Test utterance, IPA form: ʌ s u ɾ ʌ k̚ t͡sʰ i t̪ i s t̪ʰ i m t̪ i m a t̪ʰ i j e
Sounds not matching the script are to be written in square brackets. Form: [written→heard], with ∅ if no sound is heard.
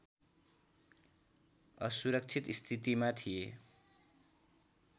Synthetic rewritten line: ʌ s u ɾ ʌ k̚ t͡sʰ i t̪ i s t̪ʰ i [m→∅] t̪ i m a t̪ʰ i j e